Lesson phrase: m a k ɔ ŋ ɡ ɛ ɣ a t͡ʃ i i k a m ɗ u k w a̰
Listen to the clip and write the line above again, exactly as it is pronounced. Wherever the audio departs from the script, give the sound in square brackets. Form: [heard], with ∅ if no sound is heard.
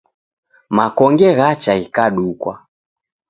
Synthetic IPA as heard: m a k ɔ ŋ ɡ ɛ ɣ a t͡ʃ [a] i k a [∅] ɗ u k w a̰